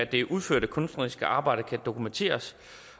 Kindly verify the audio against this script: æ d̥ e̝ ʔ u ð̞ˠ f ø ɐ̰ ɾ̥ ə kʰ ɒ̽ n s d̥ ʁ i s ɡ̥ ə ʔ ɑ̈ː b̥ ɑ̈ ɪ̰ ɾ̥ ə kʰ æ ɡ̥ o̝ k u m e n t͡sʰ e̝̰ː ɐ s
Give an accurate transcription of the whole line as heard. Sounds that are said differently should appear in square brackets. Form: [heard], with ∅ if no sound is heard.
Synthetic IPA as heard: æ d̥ e̝ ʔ u ð̞ˠ f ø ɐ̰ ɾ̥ ə kʰ [ɔ̽] n s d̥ ʁ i s ɡ̥ ə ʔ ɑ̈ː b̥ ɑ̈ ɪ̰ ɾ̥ ə kʰ æ [d̥] o̝ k u m e n t͡sʰ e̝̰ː ɐ s

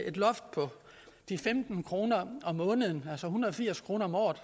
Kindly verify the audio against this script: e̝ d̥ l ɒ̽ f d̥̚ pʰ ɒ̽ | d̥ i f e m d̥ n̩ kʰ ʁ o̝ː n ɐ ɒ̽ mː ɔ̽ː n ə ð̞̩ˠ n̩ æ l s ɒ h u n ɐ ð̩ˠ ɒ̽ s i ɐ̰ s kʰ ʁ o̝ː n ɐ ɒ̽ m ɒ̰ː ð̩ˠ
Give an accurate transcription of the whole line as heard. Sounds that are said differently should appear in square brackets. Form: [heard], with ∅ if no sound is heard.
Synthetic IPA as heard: e̝ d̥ l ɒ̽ f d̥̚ pʰ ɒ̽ | d̥ i f e m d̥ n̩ kʰ ʁ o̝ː n ɐ ɒ̽ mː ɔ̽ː n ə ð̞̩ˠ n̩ æ l s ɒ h u n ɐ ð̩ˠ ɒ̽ [f] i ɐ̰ s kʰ ʁ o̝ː n ɐ ɒ̽ m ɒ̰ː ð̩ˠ

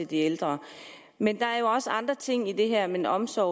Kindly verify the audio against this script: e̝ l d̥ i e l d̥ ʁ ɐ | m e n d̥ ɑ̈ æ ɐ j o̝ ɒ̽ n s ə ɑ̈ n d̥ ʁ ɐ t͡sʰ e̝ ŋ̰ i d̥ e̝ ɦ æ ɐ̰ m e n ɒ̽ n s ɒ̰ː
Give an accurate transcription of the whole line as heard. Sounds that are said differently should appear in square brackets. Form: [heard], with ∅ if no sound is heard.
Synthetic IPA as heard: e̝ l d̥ i e l d̥ ʁ ɐ | m e n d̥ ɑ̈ æ ɐ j o̝ ɒ̽ [∅] s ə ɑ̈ n d̥ ʁ ɐ t͡sʰ e̝ ŋ̰ i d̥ e̝ ɦ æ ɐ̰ m e n ɒ̽ [m] s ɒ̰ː

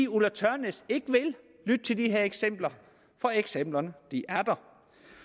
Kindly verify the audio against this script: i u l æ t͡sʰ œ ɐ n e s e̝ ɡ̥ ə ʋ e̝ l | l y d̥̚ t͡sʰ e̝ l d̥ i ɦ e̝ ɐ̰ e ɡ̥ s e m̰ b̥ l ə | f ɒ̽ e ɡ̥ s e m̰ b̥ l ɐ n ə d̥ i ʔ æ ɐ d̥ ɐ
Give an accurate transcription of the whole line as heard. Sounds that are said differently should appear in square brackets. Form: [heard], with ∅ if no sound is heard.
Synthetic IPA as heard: i u l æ t͡sʰ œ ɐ n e s e̝ ɡ̥ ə ʋ e̝ l | l y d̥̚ t͡sʰ e̝ l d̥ i ɦ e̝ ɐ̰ e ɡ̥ s e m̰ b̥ l [ɐ] | f ɒ̽ e ɡ̥ s e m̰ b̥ l ɐ n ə d̥ i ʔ æ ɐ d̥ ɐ

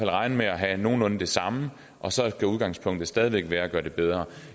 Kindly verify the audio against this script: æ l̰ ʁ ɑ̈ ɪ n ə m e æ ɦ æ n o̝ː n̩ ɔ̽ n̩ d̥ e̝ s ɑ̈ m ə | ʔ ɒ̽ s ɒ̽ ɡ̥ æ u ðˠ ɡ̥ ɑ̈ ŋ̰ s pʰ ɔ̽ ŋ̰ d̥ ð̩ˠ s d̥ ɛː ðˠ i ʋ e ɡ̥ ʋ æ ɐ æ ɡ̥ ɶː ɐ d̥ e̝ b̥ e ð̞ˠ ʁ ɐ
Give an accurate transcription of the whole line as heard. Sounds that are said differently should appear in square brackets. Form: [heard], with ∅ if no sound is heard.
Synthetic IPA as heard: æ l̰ ʁ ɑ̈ ɪ n ə m e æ ɦ æ n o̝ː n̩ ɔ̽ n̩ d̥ e̝ s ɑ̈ m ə | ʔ ɒ̽ s ɒ̽ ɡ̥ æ u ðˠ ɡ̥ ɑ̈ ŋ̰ s pʰ ɔ̽ ŋ̰ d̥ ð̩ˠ s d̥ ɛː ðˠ i ʋ e ɡ̥ ʋ [æː] ɐ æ ɡ̥ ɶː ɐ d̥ e̝ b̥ e ð̞ˠ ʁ ɐ

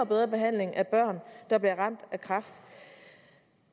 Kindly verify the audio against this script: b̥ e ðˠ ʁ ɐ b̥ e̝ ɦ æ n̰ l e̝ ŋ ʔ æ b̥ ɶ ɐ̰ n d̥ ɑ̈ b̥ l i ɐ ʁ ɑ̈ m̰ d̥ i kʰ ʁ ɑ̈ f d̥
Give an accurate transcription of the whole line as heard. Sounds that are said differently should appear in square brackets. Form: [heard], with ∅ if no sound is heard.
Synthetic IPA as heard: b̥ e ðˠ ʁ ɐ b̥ e̝ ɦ æ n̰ l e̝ ŋ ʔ æ b̥ ɶ ɐ̰ n d̥ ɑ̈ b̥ l i ɐ ʁ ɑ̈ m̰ d̥ [æ] kʰ ʁ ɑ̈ f d̥

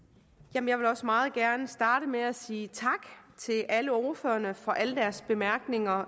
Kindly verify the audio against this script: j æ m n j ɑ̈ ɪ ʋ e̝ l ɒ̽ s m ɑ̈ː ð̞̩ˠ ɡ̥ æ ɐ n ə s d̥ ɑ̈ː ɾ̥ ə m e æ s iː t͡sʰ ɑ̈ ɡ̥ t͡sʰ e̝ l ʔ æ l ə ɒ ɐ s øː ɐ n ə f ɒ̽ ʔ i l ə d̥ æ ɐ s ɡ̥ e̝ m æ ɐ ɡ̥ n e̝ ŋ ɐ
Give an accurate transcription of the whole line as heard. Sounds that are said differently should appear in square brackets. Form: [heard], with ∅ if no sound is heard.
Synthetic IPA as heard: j æ m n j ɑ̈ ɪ ʋ e̝ l ɒ̽ s m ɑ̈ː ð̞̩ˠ ɡ̥ æ ɐ n ə s d̥ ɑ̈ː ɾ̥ ə m e æ s iː t͡sʰ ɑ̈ ɡ̥ t͡sʰ e̝ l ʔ æ l ə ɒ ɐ [f] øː ɐ n ə f ɒ̽ ʔ [æ] l ə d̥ æ ɐ s [b̥] e̝ m æ ɐ ɡ̥ n e̝ ŋ ɐ

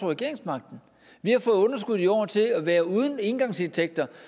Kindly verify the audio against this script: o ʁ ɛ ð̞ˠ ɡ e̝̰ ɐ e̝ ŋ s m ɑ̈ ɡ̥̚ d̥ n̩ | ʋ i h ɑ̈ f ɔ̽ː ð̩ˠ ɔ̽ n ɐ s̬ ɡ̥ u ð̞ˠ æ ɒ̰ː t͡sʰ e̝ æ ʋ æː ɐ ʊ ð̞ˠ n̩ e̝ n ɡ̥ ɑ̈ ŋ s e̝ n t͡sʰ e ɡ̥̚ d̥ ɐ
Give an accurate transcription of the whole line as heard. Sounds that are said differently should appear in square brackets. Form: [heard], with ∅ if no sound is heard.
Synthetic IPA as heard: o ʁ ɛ [∅] ɡ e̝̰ ɐ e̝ ŋ s m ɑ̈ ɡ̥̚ d̥ n̩ | ʋ i h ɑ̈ f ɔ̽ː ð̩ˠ ɔ̽ n ɐ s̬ ɡ̥ u ð̞ˠ [i] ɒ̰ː t͡sʰ e̝ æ ʋ æː ɐ [u] ð̞ˠ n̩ e̝ n ɡ̥ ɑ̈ ŋ s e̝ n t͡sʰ e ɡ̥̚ d̥ ɐ

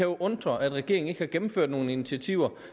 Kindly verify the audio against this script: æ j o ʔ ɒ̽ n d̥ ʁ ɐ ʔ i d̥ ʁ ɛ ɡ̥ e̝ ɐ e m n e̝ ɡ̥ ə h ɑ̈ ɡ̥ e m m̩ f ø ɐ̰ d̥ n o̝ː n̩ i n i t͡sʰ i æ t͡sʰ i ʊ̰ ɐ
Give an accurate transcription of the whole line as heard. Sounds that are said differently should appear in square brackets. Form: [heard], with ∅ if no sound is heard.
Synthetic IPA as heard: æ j o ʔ [ɔ̽] n d̥ ʁ ɐ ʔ [æ] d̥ ʁ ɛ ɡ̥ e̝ ɐ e [ŋ] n e̝ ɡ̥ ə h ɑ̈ ɡ̥ e m m̩ f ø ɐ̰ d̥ n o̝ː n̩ i n i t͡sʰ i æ t͡sʰ i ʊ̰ ɐ

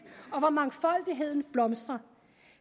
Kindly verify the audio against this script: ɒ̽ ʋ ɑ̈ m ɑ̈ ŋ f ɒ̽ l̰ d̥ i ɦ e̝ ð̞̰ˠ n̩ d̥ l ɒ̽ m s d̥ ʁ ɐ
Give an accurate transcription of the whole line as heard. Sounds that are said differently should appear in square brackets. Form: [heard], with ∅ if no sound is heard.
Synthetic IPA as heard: ɒ̽ ʋ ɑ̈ m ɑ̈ ŋ f ɒ̽ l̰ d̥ i ɦ e̝ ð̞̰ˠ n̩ [b̥] l ɒ̽ m s d̥ ʁ ɐ

